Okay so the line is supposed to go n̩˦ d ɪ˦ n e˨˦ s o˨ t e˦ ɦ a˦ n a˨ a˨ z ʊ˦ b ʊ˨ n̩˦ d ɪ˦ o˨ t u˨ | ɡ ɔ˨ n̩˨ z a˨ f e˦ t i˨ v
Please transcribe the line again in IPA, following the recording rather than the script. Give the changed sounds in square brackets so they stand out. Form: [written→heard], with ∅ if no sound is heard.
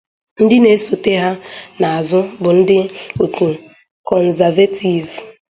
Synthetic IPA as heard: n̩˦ d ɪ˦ n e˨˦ s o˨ t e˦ ɦ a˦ n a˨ a˨ z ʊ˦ b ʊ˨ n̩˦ d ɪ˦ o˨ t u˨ | [ɡ→k] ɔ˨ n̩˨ z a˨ [f→v] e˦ t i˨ v